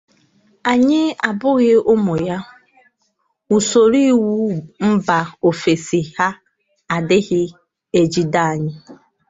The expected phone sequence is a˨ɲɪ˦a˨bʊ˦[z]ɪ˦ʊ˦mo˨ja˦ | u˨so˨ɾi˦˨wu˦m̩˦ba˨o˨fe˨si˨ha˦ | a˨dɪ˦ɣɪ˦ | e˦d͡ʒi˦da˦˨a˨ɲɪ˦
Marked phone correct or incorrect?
incorrect